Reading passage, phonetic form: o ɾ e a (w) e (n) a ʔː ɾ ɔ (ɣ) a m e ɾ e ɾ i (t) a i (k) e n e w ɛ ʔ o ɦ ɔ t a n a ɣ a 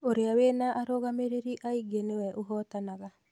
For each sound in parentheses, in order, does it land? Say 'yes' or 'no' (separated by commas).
yes, yes, yes, no, no